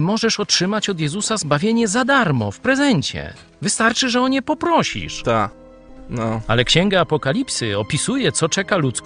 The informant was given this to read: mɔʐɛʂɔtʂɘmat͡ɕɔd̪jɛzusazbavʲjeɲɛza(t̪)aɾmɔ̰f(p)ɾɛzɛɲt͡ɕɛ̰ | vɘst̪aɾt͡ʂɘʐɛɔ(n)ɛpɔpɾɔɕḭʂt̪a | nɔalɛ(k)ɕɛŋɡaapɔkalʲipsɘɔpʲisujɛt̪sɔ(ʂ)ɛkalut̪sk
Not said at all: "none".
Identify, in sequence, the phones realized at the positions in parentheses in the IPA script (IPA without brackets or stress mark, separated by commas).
d̪, p, ɲ, k, t͡ʂ